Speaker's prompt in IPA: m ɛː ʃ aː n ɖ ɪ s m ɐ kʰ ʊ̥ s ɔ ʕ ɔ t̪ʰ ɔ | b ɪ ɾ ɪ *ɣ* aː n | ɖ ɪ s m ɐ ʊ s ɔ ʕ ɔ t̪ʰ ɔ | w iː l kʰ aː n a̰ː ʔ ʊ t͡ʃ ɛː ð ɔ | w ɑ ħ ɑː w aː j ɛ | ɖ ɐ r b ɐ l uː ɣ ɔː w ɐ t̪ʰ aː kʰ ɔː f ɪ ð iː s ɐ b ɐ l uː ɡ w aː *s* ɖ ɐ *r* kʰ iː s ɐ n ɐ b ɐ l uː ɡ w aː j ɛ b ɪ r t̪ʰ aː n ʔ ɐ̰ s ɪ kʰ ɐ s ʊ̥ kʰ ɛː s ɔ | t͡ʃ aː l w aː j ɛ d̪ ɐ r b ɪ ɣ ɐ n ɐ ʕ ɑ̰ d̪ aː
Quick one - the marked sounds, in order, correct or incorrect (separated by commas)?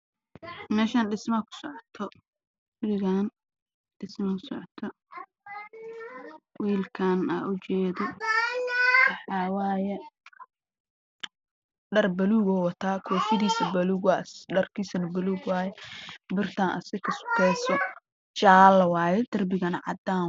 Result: correct, correct, correct